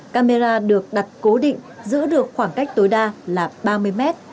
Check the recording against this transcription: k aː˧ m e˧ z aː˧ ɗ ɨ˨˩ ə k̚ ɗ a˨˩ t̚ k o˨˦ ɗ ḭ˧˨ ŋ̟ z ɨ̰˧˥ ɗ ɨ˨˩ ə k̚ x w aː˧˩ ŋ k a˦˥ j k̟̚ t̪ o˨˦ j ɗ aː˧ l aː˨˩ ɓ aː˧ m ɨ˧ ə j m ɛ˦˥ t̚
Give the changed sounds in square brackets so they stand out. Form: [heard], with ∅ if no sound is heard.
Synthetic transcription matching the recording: k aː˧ m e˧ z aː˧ ɗ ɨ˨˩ ə k̚ ɗ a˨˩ t̚ k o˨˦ ɗ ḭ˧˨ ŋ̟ z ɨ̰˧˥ ɗ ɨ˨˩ ə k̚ x w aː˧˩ ŋ k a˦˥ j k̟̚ t̪ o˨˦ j ɗ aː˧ l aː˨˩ ɓ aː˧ m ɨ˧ ə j m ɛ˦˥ t̚